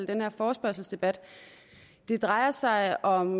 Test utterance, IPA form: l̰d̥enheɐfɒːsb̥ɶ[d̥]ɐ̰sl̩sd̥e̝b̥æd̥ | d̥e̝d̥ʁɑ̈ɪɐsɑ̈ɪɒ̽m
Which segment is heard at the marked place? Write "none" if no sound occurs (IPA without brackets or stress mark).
none